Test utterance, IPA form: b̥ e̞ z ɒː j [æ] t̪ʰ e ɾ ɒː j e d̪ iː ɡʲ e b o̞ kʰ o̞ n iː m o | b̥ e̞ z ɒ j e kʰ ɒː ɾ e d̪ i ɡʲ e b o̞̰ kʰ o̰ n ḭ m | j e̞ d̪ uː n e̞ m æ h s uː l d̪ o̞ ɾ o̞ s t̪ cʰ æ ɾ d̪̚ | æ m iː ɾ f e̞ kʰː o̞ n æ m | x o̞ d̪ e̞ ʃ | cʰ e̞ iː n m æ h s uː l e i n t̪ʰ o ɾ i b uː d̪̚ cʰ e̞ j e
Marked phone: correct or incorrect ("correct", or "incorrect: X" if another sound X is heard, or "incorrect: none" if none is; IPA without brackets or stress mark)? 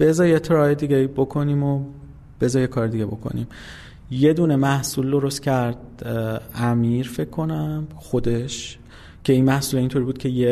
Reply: incorrect: e